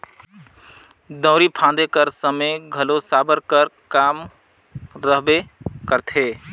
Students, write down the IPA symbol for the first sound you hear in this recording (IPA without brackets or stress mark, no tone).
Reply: d̪